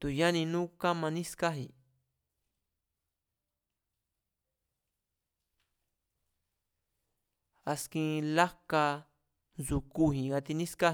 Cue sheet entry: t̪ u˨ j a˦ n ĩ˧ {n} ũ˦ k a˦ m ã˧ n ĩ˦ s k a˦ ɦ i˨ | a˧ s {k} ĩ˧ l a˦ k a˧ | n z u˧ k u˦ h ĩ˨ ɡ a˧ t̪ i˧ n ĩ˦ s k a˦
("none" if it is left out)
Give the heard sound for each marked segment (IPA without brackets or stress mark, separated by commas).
n, k